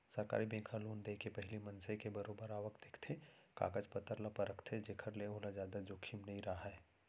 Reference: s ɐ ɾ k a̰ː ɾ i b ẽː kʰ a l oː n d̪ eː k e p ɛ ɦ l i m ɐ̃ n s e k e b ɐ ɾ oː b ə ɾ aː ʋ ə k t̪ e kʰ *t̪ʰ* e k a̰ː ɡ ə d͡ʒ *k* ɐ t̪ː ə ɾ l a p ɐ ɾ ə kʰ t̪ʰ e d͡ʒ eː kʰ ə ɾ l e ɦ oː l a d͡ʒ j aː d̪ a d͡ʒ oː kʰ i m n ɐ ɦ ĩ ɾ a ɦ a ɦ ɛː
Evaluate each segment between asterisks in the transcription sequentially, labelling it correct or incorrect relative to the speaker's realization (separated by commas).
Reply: correct, incorrect